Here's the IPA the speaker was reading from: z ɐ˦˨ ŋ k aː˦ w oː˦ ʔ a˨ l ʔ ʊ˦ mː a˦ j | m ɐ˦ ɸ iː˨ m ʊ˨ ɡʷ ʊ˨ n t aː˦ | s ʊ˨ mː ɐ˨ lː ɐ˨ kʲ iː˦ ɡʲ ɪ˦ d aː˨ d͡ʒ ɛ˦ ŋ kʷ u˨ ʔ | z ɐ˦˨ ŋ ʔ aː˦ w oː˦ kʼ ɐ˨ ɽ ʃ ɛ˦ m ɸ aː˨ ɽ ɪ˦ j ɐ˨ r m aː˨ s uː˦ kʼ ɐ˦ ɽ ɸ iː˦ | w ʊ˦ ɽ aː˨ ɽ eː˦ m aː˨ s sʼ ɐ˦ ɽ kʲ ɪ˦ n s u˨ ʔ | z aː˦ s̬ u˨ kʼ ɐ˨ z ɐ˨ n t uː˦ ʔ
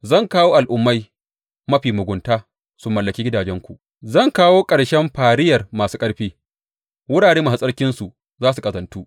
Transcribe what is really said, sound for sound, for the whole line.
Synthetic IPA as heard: z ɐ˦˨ ŋ k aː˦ w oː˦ ʔ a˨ l ʔ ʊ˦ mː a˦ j | m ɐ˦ ɸ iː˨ m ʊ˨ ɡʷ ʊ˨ n t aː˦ | s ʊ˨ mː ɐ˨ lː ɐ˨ kʲ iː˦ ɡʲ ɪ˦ d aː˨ d͡ʒ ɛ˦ ŋ kʷ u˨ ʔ | z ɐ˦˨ ŋ k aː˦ w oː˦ kʼ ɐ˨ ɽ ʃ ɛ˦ m ɸ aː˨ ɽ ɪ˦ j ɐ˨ r m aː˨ s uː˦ kʼ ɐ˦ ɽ ɸ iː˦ | w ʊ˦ ɽ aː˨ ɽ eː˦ m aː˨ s sʼ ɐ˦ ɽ kʲ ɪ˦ n s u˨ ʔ | z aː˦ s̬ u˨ kʼ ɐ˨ z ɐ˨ n t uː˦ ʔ